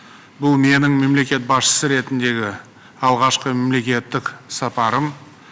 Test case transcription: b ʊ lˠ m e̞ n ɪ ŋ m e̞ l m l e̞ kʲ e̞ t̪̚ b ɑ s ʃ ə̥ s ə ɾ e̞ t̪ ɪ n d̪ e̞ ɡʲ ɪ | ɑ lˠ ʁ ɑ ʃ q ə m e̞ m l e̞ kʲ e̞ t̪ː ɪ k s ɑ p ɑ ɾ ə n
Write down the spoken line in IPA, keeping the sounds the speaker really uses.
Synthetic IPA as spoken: b ʊ lˠ m e̞ n ɪ ŋ m e̞ m l e̞ kʲ e̞ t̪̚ b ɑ s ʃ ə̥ s ə ɾ e̞ t̪ ɪ n d̪ e̞ ɡʲ ɪ | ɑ lˠ ʁ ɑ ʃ q ə m e̞ m l e̞ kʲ e̞ t̪ː ɪ k s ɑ p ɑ ɾ ə m